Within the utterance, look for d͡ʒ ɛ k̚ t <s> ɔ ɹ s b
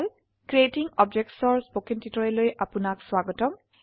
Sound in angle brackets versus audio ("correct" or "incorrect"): correct